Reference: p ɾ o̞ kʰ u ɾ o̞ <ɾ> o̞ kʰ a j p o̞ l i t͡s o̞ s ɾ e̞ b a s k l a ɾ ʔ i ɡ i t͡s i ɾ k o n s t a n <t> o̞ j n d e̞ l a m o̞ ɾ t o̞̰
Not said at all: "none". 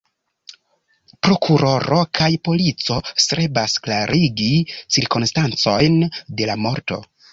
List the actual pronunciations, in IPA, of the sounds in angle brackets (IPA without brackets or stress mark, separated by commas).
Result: ɾ, t͡s